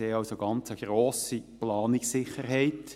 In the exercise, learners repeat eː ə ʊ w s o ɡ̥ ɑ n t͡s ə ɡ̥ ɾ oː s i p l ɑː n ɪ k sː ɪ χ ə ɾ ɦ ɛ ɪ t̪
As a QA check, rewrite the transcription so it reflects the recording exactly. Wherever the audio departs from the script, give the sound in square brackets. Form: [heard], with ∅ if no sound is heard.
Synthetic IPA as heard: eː [ɑ] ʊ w s o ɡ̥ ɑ n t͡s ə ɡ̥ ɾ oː s i p l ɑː n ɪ k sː ɪ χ ə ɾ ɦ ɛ ɪ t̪

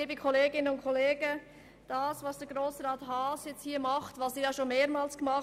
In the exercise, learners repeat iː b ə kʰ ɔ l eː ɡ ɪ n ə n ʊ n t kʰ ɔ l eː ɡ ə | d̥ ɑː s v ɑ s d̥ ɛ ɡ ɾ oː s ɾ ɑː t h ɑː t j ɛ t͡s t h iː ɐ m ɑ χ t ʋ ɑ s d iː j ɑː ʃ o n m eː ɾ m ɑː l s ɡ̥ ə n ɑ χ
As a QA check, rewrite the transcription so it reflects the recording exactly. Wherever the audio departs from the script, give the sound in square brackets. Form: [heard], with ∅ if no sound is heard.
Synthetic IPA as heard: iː b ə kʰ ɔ l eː ɡ ɪ n ə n ʊ n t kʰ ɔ l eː ɡ ə | d̥ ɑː s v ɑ s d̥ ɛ ɡ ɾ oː s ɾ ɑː t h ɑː [s] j ɛ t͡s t h iː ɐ m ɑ χ t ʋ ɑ s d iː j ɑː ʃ o n m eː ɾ m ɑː l s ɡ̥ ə [m] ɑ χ

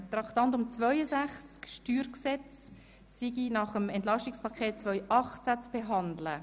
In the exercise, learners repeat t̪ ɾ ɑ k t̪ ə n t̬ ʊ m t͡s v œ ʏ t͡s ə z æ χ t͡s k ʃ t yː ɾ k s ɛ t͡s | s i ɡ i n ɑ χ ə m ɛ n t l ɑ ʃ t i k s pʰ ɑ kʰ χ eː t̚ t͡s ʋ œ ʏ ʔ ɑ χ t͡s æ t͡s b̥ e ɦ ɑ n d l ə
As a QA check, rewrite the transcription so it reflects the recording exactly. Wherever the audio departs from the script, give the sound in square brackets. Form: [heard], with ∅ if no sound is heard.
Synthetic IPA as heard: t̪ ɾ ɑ k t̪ [ɑ] n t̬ ʊ m t͡s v œ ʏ [∅] ə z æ χ t͡s k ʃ t yː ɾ k s ɛ t͡s | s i ɡ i n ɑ χ ə m ɛ n t l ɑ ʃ t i k s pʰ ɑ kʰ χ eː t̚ t͡s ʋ œ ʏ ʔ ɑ χ t͡s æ t͡s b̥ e ɦ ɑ n d l ə

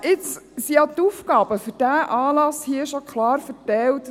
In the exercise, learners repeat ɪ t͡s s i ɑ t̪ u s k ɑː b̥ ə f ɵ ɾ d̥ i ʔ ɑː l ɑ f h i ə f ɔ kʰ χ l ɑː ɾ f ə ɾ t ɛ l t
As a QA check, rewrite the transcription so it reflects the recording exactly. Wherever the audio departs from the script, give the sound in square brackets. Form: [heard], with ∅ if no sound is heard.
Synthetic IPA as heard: ɪ t͡s s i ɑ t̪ u [f] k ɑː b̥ ə f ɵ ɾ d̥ [æ] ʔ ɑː l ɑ [s] h i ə [ʃ] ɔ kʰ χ l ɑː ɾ f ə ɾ t ɛ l t

